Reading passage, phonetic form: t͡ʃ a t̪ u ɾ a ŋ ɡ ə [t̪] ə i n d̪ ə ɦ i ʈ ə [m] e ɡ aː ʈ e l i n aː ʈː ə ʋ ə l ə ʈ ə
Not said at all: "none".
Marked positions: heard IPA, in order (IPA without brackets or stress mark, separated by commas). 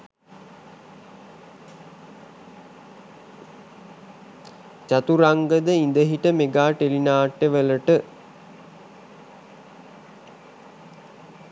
d̪, m